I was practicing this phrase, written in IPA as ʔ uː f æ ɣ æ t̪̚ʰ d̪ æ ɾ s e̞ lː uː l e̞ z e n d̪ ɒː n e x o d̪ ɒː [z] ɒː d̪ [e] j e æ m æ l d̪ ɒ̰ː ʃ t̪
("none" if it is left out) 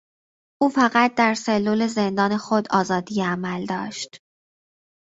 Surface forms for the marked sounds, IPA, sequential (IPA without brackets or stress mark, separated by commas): z, i